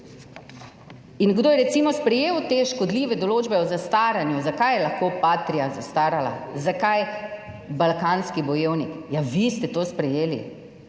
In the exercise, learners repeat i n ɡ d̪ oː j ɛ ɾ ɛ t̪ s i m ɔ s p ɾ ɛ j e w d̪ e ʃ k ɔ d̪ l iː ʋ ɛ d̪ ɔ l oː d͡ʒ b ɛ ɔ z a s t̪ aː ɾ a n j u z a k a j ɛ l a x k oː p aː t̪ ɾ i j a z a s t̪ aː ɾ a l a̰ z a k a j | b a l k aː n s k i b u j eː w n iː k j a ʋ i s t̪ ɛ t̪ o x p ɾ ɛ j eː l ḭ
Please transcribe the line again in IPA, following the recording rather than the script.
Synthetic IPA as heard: i n ɡ d̪ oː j ɛ ɾ ɛ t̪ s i m ɔ s p ɾ ɛ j e w t̪ e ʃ k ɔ d̪ l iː ʋ ɛ d̪ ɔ l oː d͡ʒ b ɛ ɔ z a s t̪ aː ɾ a n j u z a k a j ɛ l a x k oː p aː t̪ ɾ i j a z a s t̪ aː ɾ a l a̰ z a k a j | b a l k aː n s k i b ɔ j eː w n i k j a ʋ i s t̪ ɛ t̪ o s p ɾ ɛ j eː l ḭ

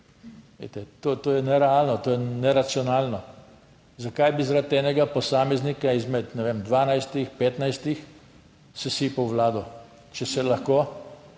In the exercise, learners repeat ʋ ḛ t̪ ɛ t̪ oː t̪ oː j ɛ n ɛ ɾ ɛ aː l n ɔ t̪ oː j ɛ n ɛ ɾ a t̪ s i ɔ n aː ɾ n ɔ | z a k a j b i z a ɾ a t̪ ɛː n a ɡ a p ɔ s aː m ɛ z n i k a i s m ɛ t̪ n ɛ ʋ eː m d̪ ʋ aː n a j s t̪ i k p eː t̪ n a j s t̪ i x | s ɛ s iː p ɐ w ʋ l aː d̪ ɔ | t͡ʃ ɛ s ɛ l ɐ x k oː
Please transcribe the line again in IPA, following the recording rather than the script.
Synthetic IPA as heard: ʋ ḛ t̪ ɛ t̪ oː t̪ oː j ɛ n ɛ ɾ ɛ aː l n ɔ t̪ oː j ɛ n ɛ ɾ a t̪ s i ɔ n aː l n ɔ | z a k a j b i z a ɾ a t̪ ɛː n ɛ ɡ a p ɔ s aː m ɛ z n i k a i z m ɛ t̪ n ɛ ʋ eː m d̪ ʋ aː n a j s t̪ i x p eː t̪ n a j s t̪ i x | s ɛ s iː p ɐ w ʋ l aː d̪ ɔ | t͡ʃ ɛ s ɛ l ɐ x k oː

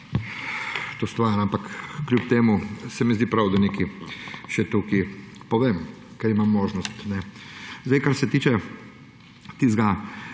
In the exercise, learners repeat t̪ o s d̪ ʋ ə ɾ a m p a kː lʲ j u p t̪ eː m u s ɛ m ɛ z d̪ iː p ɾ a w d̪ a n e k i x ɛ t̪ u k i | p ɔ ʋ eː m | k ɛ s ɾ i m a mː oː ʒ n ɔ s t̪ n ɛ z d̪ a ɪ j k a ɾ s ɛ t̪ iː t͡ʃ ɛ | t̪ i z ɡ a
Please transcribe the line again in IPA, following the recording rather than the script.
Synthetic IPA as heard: t̪ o s t̪ ʋ a ɾ a m p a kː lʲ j u p t̪ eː m u s ɛ m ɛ z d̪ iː p ɾ a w d̪ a n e k i ʃ ɛ t̪ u k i | p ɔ ʋ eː m | k ɛ ɾ i m a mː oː ʒ n ɔ s t̪ n ɛ z d̪ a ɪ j k a ɾ s ɛ t̪ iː t͡ʃ ɛ | t̪ i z ɡ a

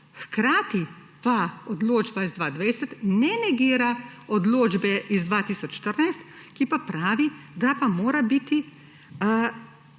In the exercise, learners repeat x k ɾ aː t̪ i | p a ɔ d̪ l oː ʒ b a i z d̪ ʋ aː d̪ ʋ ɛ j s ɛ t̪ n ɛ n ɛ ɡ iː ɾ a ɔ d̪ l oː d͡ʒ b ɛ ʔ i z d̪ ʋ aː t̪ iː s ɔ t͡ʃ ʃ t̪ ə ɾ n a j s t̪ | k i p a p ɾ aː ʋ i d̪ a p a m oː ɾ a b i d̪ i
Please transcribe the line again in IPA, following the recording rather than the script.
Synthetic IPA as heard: x k ɾ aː t̪ i | p a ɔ d̪ l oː d͡ʒ b a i z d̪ ʋ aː d̪ ʋ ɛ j s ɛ t̪ n ɛ n ɛ ɡ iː ɾ a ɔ d̪ l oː d͡ʒ b ɛ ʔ i z d̪ ʋ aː t̪ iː s ɔ t͡ʃ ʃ t̪ ə ɾ n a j s t̪ | k i p a p ɾ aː ʋ i d̪ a p a m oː ɾ a b i t̪ i

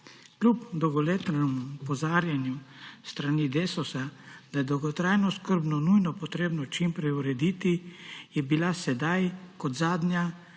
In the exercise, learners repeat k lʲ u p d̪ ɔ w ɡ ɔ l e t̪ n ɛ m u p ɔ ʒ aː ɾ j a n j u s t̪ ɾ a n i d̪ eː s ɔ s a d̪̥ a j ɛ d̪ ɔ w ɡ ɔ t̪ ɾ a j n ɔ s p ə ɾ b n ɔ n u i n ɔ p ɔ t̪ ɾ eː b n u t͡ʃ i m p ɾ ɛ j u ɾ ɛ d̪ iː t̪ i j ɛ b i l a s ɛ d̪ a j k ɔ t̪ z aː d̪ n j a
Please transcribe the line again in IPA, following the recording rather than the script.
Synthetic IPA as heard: k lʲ u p d̪ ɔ w ɡ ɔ l e t̪ n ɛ m u p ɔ z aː ɾ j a n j u s t̪ ɾ a n i d̪ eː s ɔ s a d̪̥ a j ɛ d̪ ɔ w ɡ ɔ t̪ ɾ a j n ɔ s k ə ɾ b n ɔ n u j n ɔ p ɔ t̪ ɾ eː b n ɔ t͡ʃ i m p ɾ ɛ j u ɾ ɛ d̪ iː t̪ i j ɛ b i l a s ɛ d̪ a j k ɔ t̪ z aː d̪ n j a

